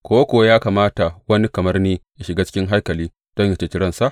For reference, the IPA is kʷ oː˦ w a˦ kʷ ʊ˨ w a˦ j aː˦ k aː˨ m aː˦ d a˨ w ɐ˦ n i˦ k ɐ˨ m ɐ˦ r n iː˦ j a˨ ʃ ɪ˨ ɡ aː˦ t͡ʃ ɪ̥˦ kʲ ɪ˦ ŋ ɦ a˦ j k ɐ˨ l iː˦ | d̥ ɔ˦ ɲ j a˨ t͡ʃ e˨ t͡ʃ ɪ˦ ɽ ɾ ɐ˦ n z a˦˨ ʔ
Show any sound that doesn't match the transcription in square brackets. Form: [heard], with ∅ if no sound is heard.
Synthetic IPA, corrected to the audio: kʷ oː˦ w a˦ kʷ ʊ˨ w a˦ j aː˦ k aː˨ m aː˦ [t] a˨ w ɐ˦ n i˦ k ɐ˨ m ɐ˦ r n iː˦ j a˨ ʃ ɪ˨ ɡ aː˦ t͡ʃ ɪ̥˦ kʲ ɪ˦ ŋ ɦ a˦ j k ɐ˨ l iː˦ | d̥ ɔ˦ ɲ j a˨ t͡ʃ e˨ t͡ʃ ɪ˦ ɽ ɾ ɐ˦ n [s] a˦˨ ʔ